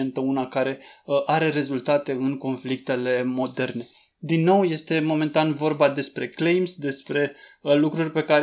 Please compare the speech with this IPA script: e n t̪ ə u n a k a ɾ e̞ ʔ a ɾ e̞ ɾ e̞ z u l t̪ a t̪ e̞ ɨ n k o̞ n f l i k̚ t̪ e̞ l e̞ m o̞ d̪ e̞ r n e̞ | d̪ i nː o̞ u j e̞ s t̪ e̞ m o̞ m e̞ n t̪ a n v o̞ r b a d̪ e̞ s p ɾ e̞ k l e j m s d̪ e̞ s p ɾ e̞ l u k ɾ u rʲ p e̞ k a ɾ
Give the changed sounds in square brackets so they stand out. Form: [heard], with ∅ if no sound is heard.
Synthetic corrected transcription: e n t̪ ə u n a k a ɾ e̞ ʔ a ɾ e̞ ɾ e̞ z u l t̪ a t̪ e̞ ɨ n k o̞ n f l i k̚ t̪ e̞ l e̞ m o̞ d̪ e̞ r n e̞ | d̪ i nː o̞ [w] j e̞ s t̪ e̞ m o̞ m e̞ n t̪ a n v o̞ r b a d̪ e̞ s p ɾ e̞ k l e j m s d̪ e̞ s p ɾ e̞ l u k ɾ u rʲ p e̞ k a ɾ